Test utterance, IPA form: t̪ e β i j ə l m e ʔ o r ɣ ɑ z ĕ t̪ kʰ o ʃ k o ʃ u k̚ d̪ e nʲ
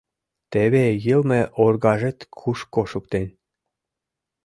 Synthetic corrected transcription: t̪ e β e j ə l m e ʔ o r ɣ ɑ ʒ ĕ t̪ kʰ u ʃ k o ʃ u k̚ t̪ e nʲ